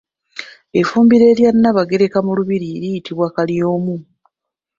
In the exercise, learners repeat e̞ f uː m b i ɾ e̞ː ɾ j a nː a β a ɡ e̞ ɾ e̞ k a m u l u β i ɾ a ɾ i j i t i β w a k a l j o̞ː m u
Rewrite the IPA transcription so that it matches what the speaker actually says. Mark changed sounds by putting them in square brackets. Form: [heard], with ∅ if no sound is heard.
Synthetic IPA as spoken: e̞ f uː m b i ɾ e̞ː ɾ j a nː a β a ɡ e̞ ɾ e̞ k a m u l u β i ɾ [i] ɾ i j i t i β w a k a l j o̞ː m u